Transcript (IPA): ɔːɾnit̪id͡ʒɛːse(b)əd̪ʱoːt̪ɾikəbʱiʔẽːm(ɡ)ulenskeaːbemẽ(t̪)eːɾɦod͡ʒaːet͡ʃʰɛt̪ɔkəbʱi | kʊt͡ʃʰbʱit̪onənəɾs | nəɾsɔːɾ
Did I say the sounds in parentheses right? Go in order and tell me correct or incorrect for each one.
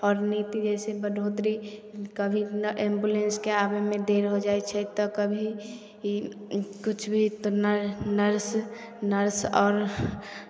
correct, incorrect: b, incorrect: d̪

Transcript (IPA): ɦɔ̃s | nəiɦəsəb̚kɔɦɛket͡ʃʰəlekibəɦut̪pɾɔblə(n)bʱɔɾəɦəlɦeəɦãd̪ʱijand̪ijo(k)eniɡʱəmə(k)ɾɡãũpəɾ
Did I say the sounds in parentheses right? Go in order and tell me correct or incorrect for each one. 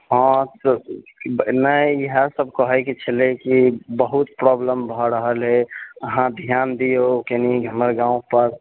incorrect: m, correct, incorrect: none

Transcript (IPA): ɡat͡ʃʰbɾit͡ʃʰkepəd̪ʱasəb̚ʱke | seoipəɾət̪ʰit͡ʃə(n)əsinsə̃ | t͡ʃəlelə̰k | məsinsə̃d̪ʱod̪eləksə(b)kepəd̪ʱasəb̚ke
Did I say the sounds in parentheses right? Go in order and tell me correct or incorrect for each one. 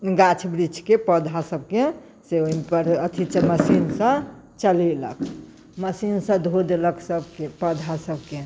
incorrect: m, correct

